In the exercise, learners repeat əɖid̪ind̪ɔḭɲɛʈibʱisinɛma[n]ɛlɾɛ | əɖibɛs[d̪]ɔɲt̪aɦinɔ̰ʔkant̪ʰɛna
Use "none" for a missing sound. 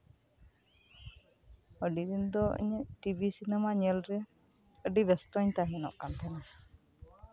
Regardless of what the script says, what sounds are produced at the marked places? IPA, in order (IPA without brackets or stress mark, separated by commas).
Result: ɲ, t̪